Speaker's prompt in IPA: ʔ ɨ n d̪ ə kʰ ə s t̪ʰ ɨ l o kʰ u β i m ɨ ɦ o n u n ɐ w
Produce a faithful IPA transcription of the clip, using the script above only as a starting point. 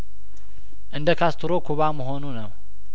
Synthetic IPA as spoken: ʔ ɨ n d̪ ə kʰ a s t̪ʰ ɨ ɾ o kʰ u β a m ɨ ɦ o n u n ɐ w